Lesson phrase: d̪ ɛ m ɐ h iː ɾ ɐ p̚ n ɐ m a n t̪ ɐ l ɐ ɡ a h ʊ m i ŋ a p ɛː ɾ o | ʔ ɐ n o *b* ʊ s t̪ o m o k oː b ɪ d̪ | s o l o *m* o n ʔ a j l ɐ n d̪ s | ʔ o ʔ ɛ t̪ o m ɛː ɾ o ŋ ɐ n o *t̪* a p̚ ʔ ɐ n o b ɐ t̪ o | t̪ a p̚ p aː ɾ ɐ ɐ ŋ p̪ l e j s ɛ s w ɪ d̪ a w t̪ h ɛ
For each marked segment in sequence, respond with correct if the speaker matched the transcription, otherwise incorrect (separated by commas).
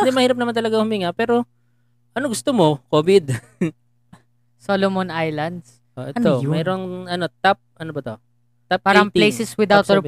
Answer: incorrect, correct, correct